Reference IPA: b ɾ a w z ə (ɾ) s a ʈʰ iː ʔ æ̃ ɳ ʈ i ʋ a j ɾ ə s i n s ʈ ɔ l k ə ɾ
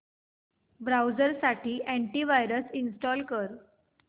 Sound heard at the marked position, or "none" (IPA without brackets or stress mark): ɾ